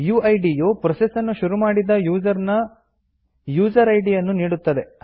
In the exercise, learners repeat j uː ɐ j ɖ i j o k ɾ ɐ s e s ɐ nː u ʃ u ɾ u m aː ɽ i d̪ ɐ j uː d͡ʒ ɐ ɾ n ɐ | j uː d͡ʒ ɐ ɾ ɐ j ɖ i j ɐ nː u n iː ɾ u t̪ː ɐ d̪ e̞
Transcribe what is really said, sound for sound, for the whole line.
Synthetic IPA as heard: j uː ɐ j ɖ i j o p ɾ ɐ s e s ɐ nː u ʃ u ɾ u m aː ɽ i d̪ ɐ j uː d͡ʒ ɐ ɾ n ɐ | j uː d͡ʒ ɐ ɾ ɐ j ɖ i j ɐ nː u n iː ɽ u t̪ː ɐ d̪ e̞